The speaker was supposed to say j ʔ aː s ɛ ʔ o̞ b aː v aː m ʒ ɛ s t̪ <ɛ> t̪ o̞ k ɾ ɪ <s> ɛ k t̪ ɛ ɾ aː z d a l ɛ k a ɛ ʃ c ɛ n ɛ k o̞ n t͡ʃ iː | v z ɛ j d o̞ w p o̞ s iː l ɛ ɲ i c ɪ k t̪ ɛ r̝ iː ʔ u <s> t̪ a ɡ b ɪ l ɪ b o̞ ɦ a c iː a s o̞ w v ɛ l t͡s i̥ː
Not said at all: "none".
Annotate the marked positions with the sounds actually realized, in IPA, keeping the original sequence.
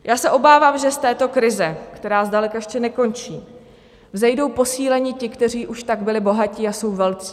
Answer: ɛː, z, ʃ

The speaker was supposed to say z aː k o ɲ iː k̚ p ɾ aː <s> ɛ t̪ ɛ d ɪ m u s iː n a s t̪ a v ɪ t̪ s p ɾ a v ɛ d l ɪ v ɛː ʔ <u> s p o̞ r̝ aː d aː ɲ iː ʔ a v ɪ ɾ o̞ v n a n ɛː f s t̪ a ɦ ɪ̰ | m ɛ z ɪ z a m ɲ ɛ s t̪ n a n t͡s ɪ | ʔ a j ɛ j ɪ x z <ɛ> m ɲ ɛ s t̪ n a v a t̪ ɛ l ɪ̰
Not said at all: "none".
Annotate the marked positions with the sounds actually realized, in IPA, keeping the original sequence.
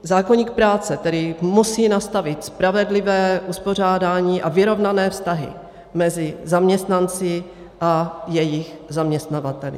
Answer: t͡s, u, a

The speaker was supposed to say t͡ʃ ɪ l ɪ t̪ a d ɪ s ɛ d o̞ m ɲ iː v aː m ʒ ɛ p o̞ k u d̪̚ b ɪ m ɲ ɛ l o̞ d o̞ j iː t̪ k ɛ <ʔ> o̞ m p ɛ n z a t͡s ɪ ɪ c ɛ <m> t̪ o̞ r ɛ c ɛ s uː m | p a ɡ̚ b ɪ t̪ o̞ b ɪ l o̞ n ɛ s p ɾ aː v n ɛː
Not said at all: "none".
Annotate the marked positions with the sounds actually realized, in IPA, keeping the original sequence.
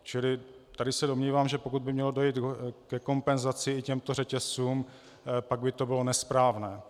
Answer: k, m

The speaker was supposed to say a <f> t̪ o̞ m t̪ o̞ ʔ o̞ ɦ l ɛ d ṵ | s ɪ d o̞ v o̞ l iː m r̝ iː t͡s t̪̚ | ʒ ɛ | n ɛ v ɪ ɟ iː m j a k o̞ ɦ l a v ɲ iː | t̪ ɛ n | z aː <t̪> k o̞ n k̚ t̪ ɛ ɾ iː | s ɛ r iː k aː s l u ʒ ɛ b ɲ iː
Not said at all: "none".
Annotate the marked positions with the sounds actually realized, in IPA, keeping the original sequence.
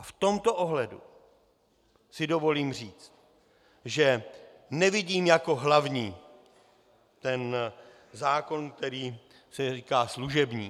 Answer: f, none

